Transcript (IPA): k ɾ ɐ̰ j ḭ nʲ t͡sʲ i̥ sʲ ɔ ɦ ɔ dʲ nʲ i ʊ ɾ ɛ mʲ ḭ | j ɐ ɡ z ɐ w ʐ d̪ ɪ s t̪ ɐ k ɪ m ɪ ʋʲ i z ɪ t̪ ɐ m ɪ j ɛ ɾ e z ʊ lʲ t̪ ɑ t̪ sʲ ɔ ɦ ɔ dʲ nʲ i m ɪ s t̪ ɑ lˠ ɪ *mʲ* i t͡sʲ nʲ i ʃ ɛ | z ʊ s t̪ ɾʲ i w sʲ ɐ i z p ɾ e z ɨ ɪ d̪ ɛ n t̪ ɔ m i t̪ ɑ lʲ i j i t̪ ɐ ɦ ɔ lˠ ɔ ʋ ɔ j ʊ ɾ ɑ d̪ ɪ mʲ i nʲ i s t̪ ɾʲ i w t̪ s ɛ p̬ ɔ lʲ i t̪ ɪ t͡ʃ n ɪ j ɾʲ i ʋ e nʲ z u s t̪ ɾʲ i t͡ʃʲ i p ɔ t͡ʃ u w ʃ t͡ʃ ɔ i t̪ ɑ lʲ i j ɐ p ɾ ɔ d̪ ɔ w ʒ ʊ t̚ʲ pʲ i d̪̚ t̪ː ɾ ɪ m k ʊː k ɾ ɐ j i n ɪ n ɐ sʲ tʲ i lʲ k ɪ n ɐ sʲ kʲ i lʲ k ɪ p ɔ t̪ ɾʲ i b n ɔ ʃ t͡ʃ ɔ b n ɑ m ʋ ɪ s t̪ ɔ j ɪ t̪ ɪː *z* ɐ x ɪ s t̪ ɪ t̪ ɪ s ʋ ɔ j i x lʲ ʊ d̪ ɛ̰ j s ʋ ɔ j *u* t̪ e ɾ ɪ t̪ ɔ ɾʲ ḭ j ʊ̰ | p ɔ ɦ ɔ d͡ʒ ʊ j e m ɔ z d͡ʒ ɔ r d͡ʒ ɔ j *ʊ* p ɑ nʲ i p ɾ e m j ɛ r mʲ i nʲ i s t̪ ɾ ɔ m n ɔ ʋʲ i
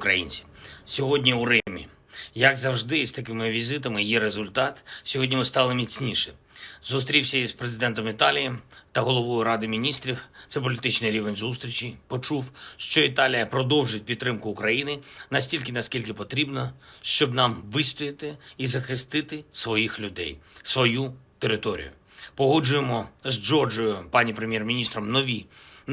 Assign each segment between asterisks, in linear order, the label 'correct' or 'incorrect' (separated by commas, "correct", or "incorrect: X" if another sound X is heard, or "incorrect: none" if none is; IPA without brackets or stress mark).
correct, correct, correct, correct